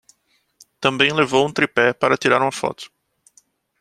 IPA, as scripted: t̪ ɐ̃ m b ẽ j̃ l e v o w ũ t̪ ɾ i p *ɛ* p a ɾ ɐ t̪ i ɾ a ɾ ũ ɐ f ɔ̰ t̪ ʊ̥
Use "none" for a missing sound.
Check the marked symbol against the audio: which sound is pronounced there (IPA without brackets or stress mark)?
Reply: ɛ